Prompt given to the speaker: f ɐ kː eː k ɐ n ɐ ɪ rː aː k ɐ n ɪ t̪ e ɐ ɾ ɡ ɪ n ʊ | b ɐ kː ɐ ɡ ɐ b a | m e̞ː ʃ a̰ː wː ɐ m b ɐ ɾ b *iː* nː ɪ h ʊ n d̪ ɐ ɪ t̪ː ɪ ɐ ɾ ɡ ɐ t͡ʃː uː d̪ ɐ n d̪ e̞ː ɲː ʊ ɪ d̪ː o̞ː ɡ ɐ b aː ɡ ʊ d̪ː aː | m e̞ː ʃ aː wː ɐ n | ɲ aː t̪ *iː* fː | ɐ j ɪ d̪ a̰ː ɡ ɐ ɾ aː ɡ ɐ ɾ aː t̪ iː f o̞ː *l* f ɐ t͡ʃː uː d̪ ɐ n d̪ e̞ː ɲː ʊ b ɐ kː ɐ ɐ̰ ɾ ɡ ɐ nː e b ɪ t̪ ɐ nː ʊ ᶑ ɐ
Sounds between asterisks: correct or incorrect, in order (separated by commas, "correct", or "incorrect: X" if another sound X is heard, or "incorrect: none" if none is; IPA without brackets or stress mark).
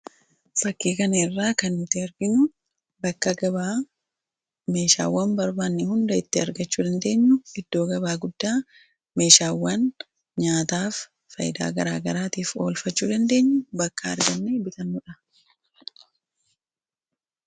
incorrect: aː, incorrect: aː, correct